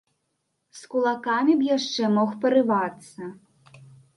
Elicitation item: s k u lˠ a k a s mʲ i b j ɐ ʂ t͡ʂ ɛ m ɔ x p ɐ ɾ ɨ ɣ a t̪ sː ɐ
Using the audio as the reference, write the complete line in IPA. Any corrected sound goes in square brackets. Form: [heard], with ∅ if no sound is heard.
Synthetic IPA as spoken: s k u lˠ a k a [∅] mʲ i b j [a] ʂ t͡ʂ ɛ m ɔ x p ɐ ɾ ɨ [v] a t̪ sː ɐ